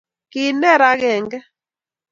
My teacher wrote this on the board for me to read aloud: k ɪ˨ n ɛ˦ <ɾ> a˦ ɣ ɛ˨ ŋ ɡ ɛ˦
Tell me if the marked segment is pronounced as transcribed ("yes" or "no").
yes